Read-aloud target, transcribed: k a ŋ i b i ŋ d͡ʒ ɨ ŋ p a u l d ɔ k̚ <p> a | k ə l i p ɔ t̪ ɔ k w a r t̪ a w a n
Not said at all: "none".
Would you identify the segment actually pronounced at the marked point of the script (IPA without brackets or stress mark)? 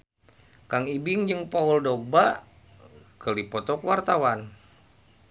b